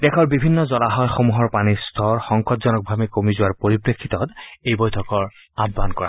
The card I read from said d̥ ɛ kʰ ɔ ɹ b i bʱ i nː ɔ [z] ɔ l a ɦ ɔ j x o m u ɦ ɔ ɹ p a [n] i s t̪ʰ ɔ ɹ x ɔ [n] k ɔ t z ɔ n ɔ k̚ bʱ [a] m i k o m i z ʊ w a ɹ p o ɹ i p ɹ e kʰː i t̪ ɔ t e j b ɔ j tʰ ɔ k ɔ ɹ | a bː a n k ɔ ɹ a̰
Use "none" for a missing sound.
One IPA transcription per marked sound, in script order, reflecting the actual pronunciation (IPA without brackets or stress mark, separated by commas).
z, n, ŋ, a